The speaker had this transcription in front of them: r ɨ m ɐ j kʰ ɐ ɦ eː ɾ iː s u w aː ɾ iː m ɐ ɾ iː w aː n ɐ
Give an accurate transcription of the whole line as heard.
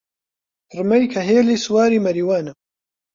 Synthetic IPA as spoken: r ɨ m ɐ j kʰ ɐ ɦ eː l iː s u w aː ɾ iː m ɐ ɾ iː w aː n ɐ